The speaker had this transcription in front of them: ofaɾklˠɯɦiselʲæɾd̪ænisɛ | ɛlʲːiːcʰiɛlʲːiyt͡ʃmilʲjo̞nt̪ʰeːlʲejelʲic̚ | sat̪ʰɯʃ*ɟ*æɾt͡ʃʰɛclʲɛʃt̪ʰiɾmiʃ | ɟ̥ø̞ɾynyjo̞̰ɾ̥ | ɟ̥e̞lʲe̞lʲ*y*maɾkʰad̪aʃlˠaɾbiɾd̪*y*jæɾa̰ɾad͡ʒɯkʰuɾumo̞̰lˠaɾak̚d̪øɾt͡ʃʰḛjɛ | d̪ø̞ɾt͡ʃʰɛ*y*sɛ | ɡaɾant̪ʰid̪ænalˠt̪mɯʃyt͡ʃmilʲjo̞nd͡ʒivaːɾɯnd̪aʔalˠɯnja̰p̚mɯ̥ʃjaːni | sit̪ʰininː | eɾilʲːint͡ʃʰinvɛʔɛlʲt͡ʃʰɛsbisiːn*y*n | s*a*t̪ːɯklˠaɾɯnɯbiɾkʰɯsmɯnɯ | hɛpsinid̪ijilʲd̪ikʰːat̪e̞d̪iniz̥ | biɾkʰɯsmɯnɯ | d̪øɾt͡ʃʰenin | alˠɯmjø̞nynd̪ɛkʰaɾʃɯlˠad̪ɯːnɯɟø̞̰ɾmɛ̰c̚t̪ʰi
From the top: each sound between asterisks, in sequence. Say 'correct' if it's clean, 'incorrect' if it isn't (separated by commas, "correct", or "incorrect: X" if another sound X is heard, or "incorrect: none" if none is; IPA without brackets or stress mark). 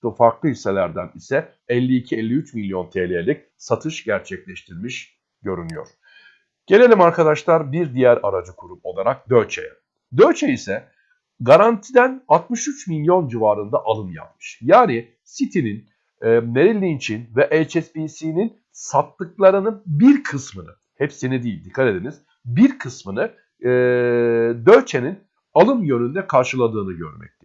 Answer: correct, incorrect: i, incorrect: i, incorrect: i, incorrect: i, correct